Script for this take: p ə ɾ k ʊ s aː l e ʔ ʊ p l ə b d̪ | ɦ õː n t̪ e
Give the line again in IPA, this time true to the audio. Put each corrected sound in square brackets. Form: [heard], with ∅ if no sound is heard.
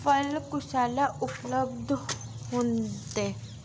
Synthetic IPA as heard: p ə [l] k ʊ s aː l [a] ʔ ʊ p l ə b d̪ | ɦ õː n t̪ e